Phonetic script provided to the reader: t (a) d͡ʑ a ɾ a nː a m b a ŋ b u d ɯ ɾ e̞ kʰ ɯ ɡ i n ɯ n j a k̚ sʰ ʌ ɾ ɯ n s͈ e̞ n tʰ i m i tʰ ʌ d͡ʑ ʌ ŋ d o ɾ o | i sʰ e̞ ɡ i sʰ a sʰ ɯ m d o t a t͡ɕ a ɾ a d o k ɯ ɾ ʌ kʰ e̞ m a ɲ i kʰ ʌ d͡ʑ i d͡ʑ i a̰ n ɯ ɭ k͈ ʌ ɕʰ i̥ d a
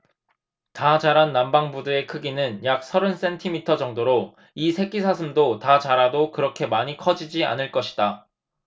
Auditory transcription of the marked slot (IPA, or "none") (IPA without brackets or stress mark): a